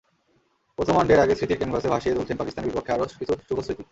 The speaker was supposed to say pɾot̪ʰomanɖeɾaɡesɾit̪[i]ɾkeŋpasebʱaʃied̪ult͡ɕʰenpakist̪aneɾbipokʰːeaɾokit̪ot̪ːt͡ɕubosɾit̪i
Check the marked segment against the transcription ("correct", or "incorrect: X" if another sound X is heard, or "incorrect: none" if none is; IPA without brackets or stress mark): correct